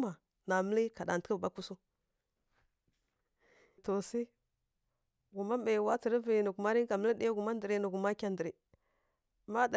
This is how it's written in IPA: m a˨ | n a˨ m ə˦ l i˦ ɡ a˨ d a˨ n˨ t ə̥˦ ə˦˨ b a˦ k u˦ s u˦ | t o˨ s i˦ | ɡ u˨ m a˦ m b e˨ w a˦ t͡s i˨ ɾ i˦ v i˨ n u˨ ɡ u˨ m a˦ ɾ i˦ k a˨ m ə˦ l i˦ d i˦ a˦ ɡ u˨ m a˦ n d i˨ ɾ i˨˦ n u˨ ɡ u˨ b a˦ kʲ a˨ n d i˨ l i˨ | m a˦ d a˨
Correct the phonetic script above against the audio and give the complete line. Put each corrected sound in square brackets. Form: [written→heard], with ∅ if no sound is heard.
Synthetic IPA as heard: m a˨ | n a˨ m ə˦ l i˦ [ɡ→k] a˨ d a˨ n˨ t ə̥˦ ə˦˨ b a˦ k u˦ s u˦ | t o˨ s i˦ | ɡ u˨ m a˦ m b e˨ w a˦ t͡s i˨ ɾ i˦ v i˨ n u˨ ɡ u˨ m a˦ ɾ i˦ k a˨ m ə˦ l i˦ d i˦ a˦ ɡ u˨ m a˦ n d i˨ ɾ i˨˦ n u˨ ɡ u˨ [b→m] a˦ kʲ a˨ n d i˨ [l→ɾ] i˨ | m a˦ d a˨